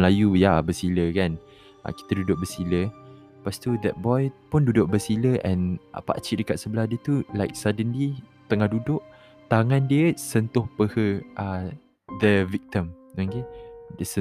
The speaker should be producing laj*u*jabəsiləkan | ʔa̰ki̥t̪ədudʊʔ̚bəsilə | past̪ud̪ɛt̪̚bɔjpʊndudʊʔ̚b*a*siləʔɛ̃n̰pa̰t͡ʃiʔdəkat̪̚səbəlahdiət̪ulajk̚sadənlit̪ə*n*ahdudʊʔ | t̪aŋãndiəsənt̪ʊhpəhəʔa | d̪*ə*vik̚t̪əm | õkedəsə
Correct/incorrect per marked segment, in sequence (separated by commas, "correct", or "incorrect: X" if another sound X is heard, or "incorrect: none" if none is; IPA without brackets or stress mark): correct, incorrect: ə, incorrect: ŋ, correct